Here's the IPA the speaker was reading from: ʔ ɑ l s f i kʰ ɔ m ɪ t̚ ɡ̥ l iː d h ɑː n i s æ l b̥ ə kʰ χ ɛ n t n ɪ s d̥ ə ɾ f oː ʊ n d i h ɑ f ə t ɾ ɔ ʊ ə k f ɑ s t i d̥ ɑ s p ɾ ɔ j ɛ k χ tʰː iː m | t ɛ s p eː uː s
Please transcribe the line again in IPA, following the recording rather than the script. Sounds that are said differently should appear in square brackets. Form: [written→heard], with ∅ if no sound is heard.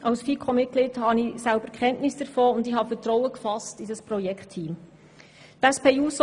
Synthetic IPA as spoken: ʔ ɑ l s f i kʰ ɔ m ɪ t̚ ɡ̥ l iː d h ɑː n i s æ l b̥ ə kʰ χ ɛ n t n ɪ s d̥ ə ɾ f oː ʊ n d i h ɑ f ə t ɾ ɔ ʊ ə k f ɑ s t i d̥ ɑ s p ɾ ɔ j ɛ k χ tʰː iː m | t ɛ s p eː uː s